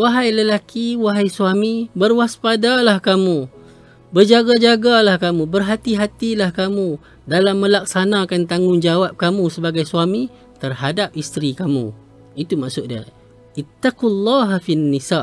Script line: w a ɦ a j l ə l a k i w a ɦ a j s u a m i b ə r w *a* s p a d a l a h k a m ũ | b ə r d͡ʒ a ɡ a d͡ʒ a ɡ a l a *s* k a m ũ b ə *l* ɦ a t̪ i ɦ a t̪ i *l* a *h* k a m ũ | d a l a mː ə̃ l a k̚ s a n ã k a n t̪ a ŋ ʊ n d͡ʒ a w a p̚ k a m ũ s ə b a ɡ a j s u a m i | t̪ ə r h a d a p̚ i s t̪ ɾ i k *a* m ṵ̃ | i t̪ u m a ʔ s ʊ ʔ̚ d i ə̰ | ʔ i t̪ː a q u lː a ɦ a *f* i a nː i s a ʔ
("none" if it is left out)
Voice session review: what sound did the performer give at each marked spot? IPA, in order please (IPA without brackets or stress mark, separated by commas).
a, h, r, l, h, a, f